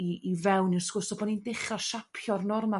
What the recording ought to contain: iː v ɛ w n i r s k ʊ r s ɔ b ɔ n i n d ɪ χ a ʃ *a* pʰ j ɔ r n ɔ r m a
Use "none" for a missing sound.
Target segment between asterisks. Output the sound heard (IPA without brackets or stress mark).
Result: a